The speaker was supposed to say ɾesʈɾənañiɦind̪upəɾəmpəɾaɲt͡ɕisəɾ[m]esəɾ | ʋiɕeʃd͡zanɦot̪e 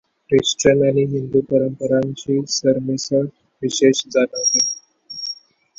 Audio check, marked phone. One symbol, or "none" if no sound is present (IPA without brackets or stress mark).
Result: m